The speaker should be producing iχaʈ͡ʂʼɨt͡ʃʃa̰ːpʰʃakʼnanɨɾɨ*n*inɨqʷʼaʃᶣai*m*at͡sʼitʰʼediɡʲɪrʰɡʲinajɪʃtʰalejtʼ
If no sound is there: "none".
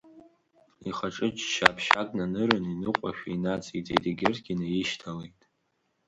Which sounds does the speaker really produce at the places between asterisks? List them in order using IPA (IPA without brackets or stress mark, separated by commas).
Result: n, n